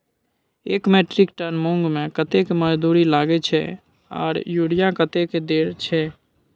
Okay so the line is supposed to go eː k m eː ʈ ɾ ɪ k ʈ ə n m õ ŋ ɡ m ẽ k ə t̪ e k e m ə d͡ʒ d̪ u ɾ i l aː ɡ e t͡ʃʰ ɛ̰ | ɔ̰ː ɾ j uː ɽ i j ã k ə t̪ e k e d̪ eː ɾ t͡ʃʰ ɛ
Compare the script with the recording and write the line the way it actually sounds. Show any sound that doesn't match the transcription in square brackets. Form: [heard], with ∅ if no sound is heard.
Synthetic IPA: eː k m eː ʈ ɾ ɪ k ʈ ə n m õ ŋ ɡ m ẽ k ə t̪ e k e m ə d͡ʒ d̪ u ɾ i l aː ɡ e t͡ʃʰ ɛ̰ | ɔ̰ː ɾ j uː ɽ i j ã k ə t̪ e k e d̪ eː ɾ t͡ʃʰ ɛ